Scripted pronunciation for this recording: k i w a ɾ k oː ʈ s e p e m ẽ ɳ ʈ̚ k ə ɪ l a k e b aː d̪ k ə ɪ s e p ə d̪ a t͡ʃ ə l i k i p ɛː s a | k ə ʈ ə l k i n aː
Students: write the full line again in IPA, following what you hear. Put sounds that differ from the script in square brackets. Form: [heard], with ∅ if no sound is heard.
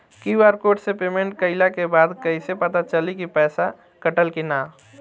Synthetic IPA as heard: k i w a ɾ k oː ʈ s e p e m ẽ ɳ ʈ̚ k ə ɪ l a k e b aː d̪ k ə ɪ s e p ə [t̪] a t͡ʃ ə l i k i p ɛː s a | k ə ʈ ə l k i n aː